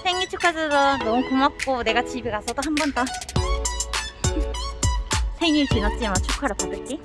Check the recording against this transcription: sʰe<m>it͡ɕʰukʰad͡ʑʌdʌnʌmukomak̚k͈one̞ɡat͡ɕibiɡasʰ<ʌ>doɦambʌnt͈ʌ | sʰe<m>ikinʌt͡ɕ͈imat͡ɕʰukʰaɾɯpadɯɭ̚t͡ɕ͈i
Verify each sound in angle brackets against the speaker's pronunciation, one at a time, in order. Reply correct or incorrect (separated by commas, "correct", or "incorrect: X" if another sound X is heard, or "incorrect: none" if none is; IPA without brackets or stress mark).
incorrect: ŋ, correct, incorrect: ŋ